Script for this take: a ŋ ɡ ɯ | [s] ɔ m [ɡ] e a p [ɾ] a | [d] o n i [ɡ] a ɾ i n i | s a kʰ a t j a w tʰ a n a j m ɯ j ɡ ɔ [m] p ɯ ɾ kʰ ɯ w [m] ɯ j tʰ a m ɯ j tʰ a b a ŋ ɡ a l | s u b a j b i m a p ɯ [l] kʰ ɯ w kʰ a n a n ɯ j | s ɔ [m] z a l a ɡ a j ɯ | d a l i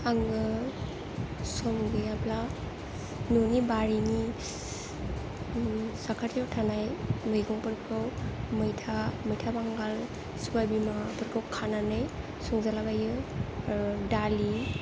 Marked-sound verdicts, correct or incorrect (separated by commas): correct, correct, incorrect, incorrect, incorrect, incorrect, correct, incorrect, incorrect